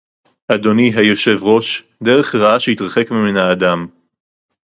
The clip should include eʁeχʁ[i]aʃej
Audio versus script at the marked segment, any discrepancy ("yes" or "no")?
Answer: yes